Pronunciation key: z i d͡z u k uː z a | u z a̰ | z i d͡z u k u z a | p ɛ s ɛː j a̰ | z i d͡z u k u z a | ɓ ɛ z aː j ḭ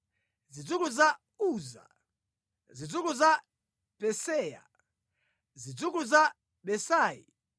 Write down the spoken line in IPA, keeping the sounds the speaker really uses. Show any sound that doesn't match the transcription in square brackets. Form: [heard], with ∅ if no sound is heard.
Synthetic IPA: z i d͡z u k [u] z a | u z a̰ | z i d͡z u k u z a | p ɛ s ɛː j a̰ | z i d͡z u k u z a | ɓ ɛ [s] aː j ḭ